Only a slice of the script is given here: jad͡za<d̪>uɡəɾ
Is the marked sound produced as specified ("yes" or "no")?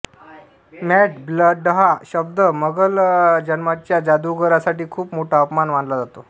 yes